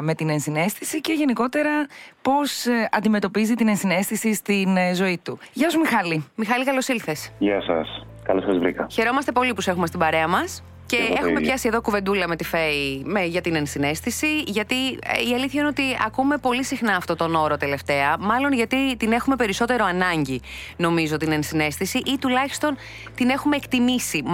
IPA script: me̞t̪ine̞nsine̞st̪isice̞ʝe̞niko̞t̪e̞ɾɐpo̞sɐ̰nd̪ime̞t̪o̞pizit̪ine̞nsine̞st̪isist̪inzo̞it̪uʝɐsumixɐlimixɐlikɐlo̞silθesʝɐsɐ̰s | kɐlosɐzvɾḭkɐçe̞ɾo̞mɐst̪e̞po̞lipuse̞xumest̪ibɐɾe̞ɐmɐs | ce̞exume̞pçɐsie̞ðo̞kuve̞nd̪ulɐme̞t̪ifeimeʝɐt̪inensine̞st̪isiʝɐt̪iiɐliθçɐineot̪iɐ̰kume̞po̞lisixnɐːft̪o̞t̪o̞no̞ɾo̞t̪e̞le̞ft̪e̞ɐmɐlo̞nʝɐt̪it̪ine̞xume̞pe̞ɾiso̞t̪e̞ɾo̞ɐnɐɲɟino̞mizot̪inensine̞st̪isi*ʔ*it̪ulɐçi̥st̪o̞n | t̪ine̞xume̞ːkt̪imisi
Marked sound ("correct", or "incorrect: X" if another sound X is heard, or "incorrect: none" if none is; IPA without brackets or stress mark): correct